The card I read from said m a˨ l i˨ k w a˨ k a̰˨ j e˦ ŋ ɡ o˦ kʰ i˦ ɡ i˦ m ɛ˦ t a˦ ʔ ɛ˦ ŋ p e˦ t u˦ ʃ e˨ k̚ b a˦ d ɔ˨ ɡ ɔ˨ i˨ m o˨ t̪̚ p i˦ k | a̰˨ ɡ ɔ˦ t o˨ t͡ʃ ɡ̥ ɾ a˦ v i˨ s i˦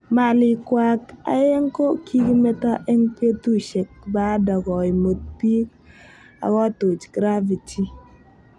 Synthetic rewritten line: m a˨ l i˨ k w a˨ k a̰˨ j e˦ ŋ k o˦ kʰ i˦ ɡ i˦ m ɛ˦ t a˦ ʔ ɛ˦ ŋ p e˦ t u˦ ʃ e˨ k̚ b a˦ d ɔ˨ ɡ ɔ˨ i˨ m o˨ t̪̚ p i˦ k | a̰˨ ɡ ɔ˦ t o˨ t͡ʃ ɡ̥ ɾ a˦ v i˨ t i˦